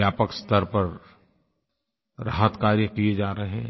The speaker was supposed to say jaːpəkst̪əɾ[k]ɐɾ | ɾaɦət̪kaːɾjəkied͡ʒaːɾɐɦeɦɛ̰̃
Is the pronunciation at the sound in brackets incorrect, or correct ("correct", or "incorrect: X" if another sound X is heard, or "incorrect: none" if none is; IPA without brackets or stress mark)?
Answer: incorrect: p